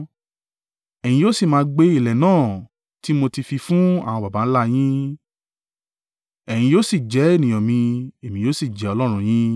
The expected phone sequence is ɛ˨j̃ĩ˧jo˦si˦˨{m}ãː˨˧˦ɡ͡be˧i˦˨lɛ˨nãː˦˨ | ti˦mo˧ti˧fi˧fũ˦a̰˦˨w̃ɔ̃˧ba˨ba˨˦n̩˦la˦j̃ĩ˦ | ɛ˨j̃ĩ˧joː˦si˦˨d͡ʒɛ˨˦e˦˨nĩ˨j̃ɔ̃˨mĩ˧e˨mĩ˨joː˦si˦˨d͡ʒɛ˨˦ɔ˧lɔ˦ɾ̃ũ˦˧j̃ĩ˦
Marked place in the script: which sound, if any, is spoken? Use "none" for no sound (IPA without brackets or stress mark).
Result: m